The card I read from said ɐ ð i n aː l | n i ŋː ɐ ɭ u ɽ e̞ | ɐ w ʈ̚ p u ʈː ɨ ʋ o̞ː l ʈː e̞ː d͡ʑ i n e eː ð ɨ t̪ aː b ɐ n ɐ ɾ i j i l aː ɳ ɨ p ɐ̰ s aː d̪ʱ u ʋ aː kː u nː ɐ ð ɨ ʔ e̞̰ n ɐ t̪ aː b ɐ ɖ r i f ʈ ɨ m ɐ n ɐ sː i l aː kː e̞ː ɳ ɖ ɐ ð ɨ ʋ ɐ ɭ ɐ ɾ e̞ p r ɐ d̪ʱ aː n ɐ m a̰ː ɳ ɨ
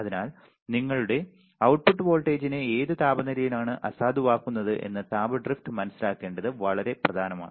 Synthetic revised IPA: ɐ ð i n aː l | n i ŋː ɐ ɭ u ɽ e̞ | ɐ w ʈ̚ p u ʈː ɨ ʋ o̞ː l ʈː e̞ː d͡ʑ i n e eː ð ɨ t̪ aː b ɐ n ɐ ɾ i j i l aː ɳ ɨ ʔ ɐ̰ s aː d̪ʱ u ʋ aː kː u nː ɐ ð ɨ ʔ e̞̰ nː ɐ t̪ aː b ɐ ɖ r i f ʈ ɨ m ɐ n ɐ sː i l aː kː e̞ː ɳ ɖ ɐ ð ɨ ʋ ɐ ɭ ɐ ɾ e̞ p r ɐ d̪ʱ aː n ɐ m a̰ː ɳ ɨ